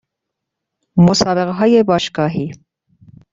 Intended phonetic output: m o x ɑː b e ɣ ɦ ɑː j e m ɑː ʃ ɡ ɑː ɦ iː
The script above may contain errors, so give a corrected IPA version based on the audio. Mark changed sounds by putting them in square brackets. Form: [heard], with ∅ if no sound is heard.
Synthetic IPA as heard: m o [s] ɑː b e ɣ ɦ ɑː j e [b] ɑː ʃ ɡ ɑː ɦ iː